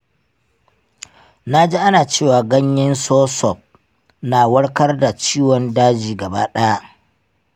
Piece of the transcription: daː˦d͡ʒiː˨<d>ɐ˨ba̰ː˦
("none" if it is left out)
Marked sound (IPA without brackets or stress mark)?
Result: ɡ